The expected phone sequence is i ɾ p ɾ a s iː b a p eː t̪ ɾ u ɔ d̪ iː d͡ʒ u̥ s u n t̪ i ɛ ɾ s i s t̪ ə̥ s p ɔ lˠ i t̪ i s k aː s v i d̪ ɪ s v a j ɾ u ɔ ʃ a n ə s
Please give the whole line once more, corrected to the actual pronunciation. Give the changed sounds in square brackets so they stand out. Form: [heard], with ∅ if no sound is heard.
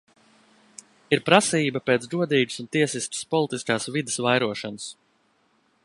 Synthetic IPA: i ɾ p ɾ a s iː b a p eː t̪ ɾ u ɔ d̪ iː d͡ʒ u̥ s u n t̪ i ɛ [∅] s i s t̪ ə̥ s p ɔ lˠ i t̪ i s k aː s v i d̪ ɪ s v a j ɾ u ɔ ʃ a n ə s